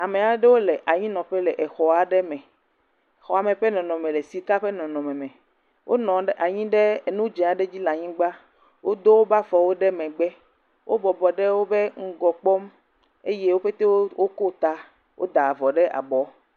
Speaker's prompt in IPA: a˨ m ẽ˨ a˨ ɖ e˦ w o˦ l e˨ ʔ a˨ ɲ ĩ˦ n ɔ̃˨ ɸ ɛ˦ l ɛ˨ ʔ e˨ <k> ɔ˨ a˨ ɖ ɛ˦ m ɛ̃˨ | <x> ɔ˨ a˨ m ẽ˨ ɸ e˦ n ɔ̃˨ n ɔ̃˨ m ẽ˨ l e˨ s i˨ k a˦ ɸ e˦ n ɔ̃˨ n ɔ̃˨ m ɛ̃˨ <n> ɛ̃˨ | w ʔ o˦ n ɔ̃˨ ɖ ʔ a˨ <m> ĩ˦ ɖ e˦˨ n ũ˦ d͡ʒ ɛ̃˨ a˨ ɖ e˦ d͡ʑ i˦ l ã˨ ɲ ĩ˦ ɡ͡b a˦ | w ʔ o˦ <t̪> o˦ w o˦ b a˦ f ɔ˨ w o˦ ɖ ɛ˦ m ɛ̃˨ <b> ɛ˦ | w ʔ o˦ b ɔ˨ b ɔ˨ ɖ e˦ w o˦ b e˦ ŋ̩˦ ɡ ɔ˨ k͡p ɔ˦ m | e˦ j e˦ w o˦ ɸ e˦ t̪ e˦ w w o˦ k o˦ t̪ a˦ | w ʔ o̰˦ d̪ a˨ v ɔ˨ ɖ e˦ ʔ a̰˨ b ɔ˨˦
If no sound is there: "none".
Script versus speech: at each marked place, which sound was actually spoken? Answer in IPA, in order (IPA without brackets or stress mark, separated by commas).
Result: x, x, m, ɲ, d̪, ɡ͡b